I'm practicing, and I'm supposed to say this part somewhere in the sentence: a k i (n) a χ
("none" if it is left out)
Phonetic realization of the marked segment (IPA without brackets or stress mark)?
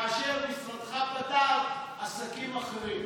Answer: m